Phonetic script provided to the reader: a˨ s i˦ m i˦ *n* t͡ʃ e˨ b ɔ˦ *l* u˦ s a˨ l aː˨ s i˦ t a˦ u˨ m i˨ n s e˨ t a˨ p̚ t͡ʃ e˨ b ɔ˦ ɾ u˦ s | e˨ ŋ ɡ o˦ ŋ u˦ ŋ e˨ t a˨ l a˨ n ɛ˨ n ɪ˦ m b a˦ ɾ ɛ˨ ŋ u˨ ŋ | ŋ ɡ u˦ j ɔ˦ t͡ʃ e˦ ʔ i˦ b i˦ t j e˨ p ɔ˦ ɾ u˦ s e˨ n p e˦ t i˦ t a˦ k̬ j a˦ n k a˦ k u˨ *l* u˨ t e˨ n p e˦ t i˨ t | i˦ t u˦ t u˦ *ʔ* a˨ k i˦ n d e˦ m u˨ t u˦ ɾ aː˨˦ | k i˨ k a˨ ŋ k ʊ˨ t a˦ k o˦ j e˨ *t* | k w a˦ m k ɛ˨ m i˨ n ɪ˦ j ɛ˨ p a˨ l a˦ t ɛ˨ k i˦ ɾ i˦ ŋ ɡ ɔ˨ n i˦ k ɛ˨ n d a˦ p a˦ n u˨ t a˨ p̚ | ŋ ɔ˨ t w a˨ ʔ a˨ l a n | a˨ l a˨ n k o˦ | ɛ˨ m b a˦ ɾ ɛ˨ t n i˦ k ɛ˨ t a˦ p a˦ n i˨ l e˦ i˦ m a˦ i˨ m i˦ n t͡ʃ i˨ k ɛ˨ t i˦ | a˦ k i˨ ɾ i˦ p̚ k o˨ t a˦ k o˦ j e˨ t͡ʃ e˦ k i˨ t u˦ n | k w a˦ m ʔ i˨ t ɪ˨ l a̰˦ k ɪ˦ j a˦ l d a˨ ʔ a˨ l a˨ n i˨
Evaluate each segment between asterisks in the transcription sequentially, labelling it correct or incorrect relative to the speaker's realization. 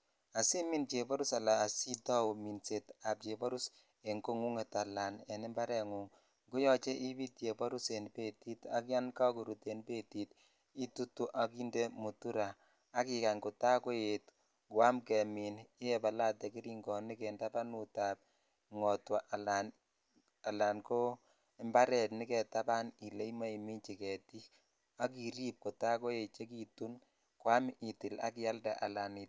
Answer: correct, incorrect: ɾ, incorrect: ɾ, correct, correct

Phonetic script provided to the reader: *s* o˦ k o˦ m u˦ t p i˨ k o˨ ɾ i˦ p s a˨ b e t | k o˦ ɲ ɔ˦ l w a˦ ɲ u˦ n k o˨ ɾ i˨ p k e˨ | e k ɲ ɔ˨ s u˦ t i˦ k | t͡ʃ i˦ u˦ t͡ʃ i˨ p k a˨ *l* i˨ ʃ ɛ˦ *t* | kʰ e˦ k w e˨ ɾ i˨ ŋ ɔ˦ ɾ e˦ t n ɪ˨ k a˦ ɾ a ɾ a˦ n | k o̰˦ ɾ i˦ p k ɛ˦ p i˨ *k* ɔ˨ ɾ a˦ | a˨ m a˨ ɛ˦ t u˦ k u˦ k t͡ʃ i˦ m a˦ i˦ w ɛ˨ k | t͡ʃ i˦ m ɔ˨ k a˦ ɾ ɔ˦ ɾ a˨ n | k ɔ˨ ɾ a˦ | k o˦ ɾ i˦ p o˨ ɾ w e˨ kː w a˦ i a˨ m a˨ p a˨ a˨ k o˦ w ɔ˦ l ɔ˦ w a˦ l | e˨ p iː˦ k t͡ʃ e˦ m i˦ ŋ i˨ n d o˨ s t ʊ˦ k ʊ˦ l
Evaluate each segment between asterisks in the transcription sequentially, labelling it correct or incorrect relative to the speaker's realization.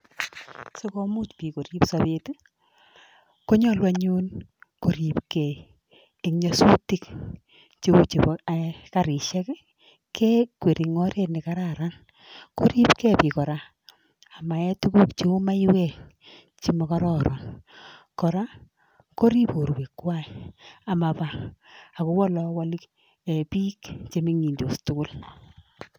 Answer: correct, incorrect: ɾ, incorrect: k, correct

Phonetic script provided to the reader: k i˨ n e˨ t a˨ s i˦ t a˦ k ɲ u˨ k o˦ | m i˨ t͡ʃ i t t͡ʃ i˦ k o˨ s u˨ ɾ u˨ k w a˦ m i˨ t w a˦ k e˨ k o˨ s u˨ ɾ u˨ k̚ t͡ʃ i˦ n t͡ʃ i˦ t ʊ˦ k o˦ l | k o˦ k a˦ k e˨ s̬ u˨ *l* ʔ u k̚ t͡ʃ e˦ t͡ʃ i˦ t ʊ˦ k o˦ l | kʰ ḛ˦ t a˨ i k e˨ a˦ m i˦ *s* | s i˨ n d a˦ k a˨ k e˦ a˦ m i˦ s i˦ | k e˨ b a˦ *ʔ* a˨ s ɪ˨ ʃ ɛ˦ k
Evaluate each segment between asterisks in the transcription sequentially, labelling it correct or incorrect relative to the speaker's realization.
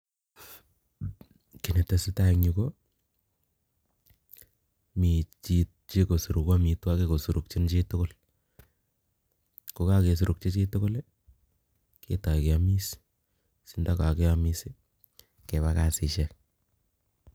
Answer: incorrect: ɾ, correct, incorrect: k

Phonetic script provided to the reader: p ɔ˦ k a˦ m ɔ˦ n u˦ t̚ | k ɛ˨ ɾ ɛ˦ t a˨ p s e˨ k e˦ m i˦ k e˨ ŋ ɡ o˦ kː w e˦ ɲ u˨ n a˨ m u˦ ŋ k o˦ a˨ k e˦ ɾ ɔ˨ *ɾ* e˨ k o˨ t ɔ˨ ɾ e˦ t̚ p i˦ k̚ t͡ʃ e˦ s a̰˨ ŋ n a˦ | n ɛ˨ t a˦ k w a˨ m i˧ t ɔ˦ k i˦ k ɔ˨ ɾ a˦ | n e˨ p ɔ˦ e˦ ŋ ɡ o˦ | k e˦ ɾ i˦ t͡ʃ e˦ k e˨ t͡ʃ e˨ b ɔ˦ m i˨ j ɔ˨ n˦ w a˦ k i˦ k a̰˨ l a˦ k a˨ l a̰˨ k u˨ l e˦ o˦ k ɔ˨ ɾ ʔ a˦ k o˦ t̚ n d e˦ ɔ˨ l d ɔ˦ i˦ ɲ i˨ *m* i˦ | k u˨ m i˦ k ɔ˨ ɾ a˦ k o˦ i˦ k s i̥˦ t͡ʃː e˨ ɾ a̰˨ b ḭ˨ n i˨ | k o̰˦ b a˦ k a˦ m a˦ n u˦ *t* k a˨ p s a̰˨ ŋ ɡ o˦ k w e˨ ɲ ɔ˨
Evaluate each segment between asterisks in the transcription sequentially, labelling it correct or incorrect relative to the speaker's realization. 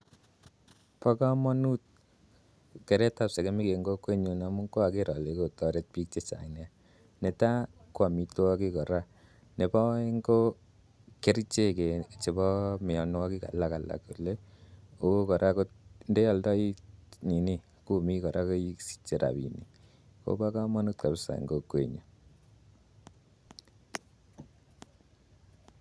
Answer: incorrect: l, incorrect: n, correct

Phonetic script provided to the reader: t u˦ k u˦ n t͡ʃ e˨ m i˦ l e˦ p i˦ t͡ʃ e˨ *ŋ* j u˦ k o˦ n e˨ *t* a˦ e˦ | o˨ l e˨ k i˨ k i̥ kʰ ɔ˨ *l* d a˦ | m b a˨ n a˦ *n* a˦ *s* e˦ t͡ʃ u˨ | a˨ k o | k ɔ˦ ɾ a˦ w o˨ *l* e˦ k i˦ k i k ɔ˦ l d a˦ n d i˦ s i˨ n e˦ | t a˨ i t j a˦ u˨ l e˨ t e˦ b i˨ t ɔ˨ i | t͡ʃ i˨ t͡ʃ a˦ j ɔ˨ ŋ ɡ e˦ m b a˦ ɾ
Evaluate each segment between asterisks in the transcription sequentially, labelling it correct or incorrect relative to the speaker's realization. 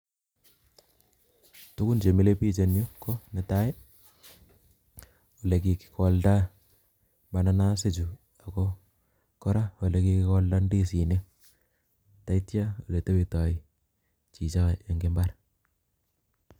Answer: incorrect: n, correct, correct, correct, correct, correct

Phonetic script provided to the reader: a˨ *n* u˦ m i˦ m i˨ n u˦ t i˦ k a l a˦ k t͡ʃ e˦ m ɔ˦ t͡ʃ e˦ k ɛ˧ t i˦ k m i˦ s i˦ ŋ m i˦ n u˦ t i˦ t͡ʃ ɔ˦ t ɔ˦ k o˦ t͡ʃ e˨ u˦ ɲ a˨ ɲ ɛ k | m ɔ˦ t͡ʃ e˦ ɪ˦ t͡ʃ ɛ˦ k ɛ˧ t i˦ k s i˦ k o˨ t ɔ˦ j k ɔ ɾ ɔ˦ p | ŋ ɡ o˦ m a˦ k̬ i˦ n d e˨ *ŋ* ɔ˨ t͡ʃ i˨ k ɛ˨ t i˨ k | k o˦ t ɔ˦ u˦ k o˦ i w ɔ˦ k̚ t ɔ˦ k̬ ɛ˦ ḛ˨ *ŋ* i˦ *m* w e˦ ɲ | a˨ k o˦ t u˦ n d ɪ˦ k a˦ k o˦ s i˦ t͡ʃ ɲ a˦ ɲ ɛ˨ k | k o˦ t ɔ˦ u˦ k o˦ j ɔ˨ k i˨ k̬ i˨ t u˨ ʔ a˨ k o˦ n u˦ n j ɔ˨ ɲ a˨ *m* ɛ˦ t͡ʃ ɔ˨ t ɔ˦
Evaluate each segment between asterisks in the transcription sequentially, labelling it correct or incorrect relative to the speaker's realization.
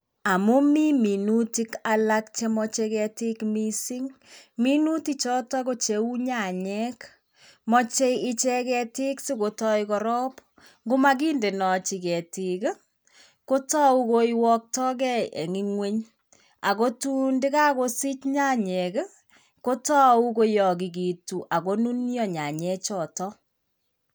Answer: incorrect: m, incorrect: n, correct, incorrect: ŋ, incorrect: ɲ

